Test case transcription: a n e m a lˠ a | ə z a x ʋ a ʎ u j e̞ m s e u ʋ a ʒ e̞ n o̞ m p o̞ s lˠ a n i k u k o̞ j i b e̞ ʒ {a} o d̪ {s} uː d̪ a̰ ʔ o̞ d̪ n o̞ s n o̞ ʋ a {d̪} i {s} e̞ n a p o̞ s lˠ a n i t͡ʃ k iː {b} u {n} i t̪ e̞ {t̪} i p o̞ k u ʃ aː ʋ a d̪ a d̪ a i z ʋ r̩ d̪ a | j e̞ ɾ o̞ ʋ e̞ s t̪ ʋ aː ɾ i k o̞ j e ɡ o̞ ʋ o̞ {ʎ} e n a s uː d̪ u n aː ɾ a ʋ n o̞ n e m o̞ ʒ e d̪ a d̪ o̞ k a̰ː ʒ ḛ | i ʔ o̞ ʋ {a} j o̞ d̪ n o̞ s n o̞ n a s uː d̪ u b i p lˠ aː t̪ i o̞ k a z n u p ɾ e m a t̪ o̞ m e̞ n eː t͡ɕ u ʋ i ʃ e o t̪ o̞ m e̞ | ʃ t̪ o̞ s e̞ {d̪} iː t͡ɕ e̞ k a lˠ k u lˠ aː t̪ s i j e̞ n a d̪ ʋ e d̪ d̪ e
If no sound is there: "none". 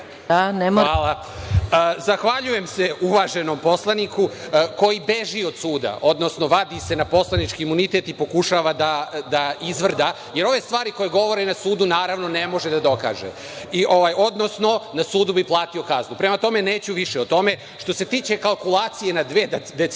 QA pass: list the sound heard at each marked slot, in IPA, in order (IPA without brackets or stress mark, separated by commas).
i, s, d̪, s, m, n, t̪, ɾ, a, t̪